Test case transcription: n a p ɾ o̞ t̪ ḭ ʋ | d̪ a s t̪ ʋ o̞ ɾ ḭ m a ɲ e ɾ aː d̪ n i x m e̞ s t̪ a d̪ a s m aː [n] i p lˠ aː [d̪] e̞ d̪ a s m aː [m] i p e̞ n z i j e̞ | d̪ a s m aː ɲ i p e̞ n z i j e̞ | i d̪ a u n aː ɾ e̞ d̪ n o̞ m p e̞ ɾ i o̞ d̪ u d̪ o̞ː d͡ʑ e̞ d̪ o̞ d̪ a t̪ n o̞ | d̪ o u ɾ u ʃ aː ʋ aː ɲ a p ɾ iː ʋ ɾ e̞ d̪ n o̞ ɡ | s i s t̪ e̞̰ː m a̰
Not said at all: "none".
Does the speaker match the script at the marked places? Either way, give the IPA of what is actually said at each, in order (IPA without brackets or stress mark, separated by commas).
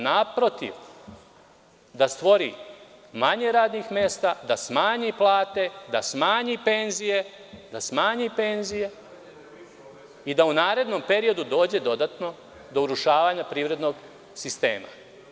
ɲ, t̪, ɲ